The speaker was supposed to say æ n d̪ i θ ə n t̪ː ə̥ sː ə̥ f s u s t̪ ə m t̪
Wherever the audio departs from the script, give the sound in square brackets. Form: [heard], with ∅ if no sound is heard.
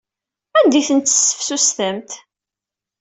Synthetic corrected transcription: æ n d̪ i θ ə n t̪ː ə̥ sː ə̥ f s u s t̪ ə m t̪